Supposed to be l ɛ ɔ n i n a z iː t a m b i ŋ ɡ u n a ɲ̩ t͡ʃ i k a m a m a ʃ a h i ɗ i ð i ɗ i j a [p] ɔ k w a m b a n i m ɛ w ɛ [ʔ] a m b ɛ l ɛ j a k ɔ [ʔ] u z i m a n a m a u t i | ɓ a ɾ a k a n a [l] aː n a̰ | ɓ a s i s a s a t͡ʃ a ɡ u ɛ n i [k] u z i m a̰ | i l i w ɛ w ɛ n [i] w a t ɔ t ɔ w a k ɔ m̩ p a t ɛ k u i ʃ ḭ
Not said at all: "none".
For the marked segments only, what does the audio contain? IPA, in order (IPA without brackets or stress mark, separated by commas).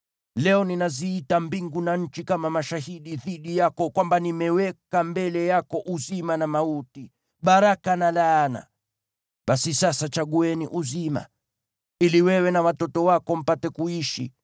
k, k, ʔ, l, ʔ, a